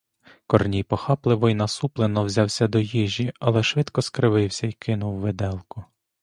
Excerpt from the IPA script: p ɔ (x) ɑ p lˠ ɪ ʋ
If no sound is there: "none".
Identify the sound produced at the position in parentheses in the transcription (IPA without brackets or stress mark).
x